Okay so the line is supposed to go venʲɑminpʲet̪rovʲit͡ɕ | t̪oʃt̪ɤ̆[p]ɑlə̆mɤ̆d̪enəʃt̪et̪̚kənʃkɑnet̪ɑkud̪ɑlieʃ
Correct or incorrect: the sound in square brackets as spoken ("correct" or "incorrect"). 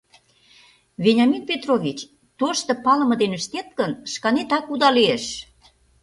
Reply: correct